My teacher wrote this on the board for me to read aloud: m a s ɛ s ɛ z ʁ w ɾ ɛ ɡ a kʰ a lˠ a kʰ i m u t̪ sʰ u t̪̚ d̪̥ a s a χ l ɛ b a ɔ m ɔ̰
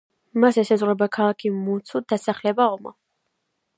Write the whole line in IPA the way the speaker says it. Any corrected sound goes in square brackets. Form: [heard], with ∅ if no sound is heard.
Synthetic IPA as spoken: m a s ɛ s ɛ z ʁ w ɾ ɛ [b] a kʰ a lˠ a kʰ i m u t̪ sʰ u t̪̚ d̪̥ a s a χ l ɛ b a ɔ m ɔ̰